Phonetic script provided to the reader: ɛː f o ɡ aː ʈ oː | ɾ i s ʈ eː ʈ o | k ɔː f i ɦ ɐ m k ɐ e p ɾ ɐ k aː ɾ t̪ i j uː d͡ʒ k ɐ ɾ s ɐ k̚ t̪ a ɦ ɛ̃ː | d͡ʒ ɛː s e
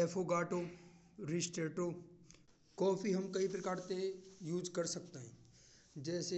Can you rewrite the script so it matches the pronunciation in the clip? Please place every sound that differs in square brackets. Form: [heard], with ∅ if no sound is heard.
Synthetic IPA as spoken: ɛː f o ɡ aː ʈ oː | ɾ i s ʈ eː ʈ o | k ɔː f i ɦ ɐ m k ɐ [i] p ɾ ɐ k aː ɾ t̪ [e] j uː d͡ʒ k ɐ ɾ s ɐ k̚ t̪ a ɦ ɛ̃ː | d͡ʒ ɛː s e